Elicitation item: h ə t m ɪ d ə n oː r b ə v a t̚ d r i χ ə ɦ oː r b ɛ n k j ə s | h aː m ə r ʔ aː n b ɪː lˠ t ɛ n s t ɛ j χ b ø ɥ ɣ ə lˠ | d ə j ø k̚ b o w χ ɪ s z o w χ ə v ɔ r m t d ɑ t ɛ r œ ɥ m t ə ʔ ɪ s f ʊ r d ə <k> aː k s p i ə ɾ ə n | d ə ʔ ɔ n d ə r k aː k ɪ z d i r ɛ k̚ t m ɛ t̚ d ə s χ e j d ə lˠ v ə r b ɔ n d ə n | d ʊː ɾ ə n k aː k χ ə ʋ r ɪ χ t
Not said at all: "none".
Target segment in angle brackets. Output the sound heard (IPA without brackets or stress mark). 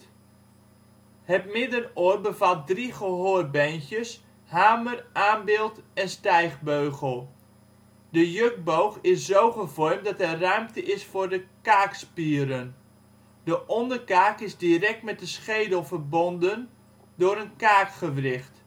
k